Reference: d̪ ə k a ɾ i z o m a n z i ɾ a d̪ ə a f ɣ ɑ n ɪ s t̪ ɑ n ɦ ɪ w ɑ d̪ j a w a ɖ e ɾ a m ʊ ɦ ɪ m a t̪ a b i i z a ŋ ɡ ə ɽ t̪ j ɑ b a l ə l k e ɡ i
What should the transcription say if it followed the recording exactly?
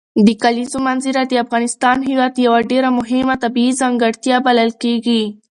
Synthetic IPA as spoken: d̪ ə k a l i z o m a n z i ɾ a d̪ ə a f ɣ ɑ n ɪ s t̪ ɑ n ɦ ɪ w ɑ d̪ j a w a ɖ e ɾ a m ʊ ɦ ɪ m a t̪ a b i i z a ŋ ɡ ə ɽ t̪ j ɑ b a l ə l k e ɡ i